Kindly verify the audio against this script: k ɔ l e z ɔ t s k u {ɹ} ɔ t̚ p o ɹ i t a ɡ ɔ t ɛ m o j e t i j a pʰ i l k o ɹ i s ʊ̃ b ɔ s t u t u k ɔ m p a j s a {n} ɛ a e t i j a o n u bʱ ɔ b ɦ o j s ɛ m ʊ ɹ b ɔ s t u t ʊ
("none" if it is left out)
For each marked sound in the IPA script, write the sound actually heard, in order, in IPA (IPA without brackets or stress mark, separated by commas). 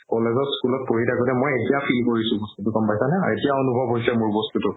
l, n